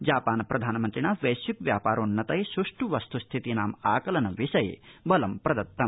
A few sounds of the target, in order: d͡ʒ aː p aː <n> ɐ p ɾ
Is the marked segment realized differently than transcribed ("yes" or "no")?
no